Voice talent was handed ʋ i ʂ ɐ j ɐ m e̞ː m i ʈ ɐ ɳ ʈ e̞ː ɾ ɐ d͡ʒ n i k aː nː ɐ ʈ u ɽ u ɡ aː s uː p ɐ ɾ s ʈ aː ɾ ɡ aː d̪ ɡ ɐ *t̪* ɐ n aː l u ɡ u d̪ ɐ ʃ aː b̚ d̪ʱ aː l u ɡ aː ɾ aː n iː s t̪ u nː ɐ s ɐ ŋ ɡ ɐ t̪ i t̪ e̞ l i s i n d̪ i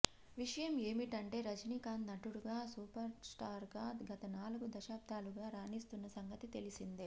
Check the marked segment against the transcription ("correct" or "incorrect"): correct